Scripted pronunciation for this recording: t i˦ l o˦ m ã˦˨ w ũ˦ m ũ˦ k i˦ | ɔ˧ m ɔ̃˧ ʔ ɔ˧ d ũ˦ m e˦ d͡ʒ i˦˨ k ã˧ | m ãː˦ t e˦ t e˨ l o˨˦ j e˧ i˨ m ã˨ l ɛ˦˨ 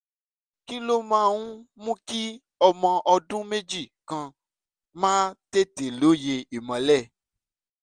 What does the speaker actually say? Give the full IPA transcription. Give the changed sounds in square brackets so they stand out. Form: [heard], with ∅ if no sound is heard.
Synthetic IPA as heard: [k] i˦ l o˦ m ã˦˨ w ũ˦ m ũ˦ k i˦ | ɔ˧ m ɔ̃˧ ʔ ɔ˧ d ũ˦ m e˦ d͡ʒ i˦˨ k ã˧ | m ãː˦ t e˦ t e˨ l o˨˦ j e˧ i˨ m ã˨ l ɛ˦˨